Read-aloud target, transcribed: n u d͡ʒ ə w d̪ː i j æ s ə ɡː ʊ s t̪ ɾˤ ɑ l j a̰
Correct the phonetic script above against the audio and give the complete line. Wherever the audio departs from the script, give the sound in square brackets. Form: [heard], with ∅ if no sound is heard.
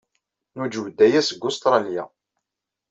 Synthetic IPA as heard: n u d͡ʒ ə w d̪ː [æ] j æ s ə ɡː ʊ s t̪ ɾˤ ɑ l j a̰